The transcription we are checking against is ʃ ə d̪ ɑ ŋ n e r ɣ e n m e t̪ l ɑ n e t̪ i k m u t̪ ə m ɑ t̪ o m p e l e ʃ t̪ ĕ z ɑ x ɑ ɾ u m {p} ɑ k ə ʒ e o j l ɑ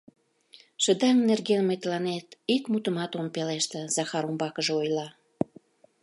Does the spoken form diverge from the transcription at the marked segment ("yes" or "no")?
yes